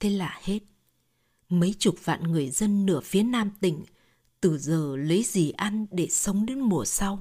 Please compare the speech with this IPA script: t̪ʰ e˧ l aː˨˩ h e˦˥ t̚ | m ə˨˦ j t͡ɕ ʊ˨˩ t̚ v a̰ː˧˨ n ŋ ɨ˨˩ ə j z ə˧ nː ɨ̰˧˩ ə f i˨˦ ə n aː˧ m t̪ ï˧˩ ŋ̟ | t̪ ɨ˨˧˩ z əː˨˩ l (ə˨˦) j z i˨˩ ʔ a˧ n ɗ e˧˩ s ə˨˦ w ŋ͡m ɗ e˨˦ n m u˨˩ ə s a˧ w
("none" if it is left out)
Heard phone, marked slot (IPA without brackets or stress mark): ə˨˦